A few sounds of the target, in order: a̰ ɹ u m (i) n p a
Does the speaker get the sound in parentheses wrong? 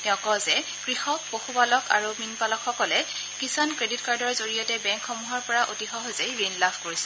no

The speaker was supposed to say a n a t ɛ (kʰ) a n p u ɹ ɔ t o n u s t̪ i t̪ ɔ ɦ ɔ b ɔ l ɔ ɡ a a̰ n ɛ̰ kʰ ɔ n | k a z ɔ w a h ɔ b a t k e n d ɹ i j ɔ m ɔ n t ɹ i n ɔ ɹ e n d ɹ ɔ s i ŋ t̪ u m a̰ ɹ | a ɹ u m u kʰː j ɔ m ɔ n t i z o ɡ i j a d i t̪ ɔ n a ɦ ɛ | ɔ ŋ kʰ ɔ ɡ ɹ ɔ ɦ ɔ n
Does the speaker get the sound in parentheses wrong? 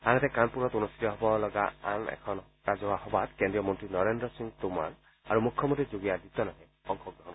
yes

